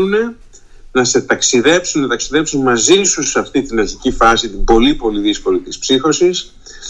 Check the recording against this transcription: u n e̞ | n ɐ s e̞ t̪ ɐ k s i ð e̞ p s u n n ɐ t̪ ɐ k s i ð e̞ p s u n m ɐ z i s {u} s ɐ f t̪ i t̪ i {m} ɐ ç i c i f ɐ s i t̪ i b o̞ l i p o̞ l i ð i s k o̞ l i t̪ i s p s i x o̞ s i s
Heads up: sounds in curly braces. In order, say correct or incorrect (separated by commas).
correct, incorrect